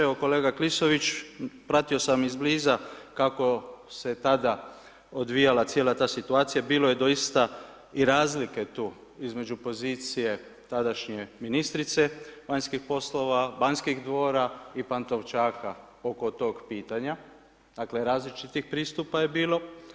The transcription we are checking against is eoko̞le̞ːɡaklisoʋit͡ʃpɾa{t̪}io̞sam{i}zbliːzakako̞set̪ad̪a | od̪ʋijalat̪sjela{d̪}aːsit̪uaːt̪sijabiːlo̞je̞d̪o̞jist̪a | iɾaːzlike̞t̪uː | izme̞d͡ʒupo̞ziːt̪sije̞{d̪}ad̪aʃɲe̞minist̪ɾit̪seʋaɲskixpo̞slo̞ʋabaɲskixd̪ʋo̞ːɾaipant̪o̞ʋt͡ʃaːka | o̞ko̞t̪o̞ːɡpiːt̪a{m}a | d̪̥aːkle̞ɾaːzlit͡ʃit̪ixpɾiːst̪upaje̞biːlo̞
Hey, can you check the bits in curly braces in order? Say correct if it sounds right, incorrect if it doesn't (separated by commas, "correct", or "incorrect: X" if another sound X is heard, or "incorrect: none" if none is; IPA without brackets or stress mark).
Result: correct, correct, incorrect: t̪, incorrect: t̪, incorrect: ɲ